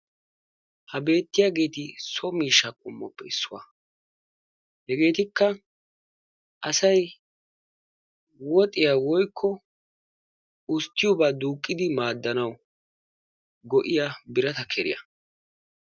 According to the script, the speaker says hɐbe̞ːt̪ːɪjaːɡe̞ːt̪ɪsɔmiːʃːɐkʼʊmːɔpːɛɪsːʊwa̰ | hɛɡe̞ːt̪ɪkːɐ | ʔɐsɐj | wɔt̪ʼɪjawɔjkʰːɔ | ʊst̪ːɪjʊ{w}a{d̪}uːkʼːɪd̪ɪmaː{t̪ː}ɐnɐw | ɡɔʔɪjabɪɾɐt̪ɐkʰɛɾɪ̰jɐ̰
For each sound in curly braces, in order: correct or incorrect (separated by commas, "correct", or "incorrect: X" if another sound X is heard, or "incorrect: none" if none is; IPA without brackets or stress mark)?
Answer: incorrect: b, correct, incorrect: d̪ː